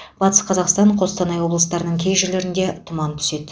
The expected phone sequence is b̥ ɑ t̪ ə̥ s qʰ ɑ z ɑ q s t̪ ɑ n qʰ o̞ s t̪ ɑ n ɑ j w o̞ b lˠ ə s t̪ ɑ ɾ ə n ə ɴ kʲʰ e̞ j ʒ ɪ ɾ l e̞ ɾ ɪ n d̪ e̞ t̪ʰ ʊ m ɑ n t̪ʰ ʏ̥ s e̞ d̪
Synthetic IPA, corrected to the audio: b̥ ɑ t̪ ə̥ s qʰ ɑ z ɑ q s t̪ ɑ ɴ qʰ o̞ s t̪ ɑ n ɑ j w o̞ b lˠ ə s t̪ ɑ ɾ ə n ə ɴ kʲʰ e̞ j ʒ ɪ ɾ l e̞ ɾ ɪ n d̪ e̞ t̪ʰ ʊ m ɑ n t̪ʰ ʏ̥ s e̞ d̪